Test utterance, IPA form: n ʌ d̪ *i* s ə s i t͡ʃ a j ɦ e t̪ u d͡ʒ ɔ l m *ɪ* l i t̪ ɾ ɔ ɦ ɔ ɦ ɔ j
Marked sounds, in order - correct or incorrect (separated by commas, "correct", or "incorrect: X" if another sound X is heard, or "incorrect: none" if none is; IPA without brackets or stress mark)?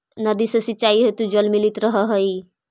correct, incorrect: i